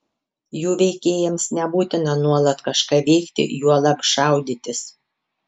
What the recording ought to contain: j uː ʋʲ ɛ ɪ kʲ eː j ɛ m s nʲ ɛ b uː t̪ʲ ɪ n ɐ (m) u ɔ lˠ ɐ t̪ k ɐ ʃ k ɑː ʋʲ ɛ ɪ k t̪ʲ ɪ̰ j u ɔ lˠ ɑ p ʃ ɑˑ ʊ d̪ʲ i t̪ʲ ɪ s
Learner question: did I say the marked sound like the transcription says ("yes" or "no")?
no